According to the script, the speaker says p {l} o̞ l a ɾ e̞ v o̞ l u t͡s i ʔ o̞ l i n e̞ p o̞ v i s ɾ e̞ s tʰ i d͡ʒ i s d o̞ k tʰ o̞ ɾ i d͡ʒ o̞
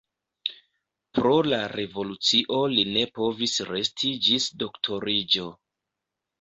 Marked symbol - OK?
no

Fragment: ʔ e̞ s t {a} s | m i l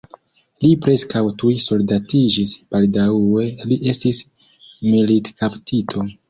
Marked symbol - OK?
no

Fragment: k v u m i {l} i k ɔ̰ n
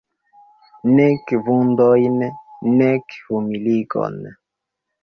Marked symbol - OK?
yes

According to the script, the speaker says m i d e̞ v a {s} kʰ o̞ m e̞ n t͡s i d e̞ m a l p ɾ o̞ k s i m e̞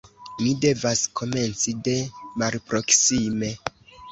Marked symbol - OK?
yes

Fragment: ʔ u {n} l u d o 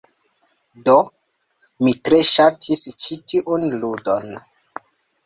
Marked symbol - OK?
yes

